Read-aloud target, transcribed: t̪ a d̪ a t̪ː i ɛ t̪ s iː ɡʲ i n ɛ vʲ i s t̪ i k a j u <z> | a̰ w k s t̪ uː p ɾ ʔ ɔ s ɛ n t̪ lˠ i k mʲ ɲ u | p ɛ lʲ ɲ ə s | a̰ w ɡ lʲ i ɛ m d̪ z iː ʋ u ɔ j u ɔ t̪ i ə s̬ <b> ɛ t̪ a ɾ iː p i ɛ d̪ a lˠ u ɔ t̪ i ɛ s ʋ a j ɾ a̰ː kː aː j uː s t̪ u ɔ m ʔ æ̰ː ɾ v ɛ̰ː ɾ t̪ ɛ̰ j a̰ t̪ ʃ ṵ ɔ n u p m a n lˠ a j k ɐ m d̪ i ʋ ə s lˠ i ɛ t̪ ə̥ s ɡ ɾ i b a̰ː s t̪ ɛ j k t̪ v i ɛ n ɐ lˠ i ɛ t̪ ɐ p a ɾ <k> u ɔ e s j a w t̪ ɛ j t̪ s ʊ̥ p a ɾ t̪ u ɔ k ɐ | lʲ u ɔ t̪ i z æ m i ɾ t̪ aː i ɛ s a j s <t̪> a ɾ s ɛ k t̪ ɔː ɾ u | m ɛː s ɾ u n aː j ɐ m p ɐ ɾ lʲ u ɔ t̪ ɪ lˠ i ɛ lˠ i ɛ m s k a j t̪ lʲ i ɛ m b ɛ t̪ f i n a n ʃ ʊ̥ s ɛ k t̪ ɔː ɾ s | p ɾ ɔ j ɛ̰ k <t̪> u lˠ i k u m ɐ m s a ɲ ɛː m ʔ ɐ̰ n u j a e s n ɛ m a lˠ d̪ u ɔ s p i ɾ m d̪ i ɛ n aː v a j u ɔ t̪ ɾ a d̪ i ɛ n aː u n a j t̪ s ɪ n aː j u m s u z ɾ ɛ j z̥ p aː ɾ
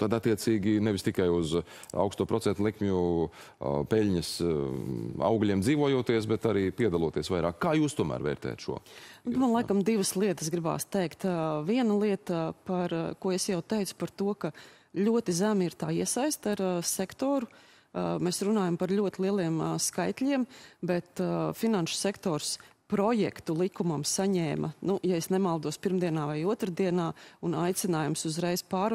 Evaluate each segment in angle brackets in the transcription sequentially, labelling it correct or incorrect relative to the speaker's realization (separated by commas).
correct, correct, correct, correct, correct